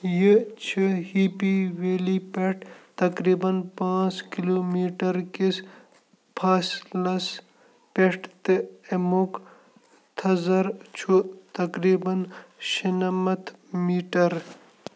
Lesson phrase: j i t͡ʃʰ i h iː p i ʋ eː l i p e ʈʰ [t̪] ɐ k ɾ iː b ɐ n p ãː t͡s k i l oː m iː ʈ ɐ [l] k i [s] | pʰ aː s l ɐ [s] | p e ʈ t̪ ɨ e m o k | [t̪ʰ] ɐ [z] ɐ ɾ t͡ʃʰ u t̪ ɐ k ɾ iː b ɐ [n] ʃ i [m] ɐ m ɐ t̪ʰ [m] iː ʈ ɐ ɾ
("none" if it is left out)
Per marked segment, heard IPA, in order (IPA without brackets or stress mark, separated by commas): t̪, ɾ, s, s, t̪ʰ, z, n, n, m